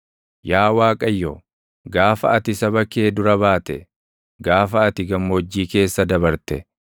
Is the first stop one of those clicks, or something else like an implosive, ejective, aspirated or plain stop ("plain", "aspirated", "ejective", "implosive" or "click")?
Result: ejective